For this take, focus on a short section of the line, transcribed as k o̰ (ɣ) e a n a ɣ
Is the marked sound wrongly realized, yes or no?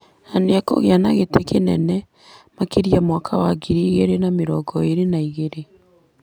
no